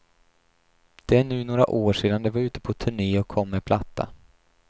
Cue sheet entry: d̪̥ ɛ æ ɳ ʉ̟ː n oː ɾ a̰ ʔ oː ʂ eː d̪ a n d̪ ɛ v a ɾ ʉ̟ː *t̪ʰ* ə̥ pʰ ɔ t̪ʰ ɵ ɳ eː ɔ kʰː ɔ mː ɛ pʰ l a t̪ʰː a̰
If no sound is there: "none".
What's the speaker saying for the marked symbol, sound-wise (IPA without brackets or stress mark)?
t̪